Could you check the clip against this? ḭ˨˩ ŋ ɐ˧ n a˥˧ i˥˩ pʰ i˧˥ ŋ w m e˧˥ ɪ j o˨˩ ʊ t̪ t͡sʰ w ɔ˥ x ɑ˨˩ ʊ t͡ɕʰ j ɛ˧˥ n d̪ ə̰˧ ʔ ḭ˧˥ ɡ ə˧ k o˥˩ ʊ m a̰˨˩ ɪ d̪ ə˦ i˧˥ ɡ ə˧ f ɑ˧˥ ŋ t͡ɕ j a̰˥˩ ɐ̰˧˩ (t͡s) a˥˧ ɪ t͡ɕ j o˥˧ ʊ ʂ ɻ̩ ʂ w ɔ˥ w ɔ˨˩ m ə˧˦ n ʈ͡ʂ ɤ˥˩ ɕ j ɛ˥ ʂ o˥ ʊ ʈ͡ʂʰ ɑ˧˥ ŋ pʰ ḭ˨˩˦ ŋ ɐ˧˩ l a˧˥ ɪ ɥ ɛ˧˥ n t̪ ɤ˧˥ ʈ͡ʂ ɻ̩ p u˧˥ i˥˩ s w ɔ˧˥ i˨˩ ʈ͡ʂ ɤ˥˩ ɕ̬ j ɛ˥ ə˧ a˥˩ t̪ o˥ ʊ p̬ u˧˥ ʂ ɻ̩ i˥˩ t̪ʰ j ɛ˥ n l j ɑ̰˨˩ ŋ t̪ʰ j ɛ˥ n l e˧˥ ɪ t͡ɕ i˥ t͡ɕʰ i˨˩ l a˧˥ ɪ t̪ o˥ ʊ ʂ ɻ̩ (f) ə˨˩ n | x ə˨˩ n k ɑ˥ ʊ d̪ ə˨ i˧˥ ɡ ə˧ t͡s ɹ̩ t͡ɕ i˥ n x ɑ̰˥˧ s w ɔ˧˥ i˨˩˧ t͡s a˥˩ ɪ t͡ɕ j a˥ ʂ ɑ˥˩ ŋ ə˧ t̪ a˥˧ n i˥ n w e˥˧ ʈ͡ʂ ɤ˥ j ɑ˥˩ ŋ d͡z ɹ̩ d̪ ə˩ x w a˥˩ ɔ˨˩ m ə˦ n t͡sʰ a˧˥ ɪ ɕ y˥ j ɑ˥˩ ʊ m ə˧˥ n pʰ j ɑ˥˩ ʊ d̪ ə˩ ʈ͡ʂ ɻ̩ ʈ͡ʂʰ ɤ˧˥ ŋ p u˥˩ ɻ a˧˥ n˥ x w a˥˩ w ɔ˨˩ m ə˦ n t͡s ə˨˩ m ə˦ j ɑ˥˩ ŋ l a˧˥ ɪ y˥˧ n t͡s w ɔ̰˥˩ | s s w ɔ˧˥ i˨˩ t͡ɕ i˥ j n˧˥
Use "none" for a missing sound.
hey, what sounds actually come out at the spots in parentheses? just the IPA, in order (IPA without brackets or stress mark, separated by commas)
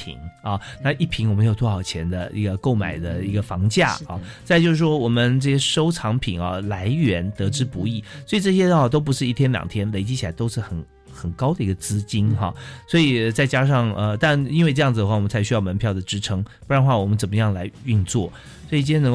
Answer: t͡s, x